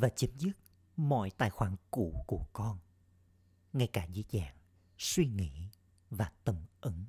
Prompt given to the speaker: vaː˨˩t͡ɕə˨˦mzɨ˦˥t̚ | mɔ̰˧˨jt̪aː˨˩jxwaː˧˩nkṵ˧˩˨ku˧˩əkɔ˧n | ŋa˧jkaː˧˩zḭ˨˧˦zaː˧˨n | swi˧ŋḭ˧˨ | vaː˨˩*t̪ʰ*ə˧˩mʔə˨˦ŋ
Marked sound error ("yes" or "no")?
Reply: yes